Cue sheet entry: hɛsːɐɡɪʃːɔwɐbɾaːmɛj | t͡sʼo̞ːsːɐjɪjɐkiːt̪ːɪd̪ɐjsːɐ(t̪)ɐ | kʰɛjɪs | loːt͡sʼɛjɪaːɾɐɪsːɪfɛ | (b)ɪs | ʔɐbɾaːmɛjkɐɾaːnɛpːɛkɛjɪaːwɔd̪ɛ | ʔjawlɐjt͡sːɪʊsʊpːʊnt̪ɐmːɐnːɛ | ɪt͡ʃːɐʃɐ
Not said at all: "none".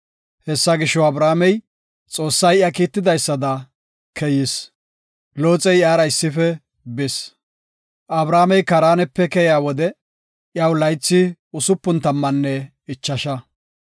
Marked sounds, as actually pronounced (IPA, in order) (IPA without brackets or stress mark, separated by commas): d̪, b